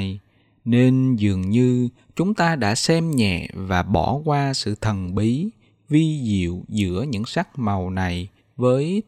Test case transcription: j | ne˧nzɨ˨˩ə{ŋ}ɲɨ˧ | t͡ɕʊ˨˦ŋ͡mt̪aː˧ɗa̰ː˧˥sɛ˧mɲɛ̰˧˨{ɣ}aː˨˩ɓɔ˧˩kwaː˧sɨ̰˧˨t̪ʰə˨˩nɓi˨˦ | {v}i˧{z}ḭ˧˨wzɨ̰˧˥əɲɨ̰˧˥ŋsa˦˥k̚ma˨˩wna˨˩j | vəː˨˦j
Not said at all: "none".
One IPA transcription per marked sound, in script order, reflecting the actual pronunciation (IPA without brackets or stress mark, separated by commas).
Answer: ŋ, v, v, z